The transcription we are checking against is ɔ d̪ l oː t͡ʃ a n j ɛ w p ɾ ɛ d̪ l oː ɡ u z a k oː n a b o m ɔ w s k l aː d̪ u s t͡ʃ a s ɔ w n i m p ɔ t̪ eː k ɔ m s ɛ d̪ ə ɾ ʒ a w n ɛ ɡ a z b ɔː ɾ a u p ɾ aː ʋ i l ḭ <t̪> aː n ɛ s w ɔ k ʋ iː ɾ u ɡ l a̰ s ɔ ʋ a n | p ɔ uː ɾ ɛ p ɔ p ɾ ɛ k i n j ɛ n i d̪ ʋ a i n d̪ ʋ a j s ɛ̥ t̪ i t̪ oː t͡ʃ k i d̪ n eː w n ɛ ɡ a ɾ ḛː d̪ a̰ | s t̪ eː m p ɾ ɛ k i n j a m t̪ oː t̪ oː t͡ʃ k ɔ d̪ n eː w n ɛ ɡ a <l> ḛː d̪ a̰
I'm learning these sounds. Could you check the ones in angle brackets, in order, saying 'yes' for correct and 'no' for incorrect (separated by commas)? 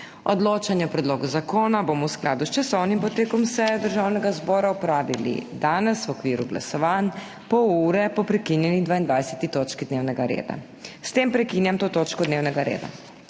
no, no